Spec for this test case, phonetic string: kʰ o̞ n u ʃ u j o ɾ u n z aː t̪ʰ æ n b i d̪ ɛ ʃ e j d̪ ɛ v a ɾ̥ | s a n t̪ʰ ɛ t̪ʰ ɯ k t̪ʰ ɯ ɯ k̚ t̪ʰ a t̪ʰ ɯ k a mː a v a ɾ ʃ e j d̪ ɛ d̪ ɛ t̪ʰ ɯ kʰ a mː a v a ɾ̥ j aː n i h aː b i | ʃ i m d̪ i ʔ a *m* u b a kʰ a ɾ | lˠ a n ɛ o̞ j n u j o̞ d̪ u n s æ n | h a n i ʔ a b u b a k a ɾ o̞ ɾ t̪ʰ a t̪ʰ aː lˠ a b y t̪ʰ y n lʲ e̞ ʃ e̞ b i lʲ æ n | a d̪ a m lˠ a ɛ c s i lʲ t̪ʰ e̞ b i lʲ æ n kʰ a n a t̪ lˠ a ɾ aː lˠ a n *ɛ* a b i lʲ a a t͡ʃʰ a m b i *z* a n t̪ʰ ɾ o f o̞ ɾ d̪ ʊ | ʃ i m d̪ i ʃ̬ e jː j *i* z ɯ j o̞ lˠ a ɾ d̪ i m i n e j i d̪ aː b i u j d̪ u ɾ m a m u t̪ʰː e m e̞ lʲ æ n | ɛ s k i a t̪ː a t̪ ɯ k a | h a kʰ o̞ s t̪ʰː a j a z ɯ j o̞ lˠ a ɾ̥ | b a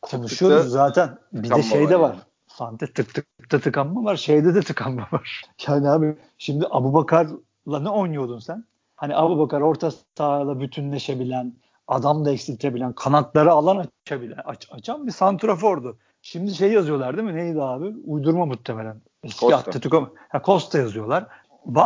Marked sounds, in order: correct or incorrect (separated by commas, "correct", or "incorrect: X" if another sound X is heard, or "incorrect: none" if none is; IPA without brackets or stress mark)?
incorrect: b, incorrect: a, incorrect: s, incorrect: a